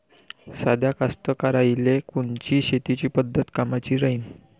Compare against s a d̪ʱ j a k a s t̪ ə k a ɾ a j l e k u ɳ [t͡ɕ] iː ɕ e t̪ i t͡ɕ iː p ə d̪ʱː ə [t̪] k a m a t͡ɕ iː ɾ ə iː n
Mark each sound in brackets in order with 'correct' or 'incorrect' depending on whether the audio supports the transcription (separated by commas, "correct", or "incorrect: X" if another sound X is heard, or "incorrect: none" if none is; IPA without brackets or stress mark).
correct, correct